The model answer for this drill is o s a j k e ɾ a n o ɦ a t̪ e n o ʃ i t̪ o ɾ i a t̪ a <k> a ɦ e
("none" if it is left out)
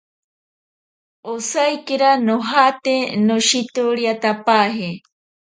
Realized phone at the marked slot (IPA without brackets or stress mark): p